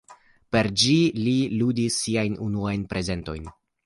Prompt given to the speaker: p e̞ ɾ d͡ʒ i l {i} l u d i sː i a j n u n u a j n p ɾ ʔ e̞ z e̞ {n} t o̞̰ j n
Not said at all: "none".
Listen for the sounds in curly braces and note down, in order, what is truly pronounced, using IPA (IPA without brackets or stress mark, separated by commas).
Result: i, n